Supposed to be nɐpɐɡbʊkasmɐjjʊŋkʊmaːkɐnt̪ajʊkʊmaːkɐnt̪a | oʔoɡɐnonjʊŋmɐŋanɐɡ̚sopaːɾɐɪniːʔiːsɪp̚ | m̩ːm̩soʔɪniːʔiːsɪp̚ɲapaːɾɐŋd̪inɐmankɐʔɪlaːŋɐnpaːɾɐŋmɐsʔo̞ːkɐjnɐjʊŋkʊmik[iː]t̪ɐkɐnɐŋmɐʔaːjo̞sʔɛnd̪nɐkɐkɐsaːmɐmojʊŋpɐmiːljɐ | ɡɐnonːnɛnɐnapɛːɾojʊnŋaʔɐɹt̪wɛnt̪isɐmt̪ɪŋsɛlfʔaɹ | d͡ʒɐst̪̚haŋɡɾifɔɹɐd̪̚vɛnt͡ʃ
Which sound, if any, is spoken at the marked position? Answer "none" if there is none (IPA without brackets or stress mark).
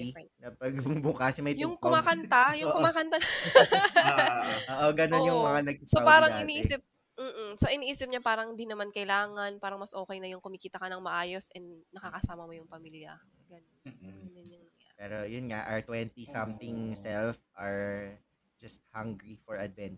iː